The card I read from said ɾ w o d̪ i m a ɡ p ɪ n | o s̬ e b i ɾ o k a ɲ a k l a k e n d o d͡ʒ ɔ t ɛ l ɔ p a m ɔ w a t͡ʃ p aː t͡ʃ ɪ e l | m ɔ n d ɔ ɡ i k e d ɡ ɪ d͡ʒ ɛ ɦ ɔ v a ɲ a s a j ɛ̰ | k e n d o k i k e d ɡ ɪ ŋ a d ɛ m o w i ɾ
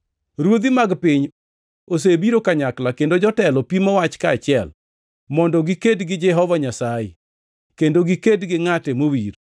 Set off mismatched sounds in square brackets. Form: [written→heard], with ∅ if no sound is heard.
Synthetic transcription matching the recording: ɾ w o d̪ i m a ɡ p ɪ [n→ɲ] | o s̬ e b i ɾ o k a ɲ a k l a k e n d o d͡ʒ ɔ t ɛ l ɔ p [a→i] m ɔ w a t͡ʃ [p→k] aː t͡ʃ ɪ [e→ɛ] l | m ɔ n d ɔ ɡ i k e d ɡ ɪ d͡ʒ ɛ ɦ ɔ v a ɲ a s a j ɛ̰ | k e n d o [k→ɡ] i k e d ɡ ɪ ŋ a [d→t] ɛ m o w i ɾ